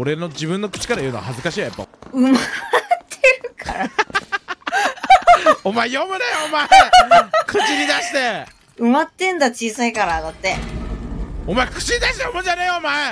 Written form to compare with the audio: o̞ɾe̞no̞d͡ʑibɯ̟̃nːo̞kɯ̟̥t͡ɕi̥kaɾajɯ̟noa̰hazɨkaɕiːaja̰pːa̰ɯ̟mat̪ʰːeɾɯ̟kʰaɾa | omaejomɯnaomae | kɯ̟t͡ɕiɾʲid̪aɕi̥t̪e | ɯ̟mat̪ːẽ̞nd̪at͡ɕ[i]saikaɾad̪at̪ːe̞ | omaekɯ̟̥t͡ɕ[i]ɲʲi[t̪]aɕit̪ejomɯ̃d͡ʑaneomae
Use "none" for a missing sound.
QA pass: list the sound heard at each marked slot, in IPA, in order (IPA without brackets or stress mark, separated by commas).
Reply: iː, i, d̪